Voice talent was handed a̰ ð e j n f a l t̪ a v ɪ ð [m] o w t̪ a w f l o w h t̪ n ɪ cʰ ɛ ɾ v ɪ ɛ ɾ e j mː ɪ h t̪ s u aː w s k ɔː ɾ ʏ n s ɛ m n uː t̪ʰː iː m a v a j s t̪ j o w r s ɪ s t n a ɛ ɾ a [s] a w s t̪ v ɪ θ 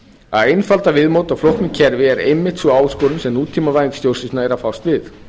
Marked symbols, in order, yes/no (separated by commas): yes, no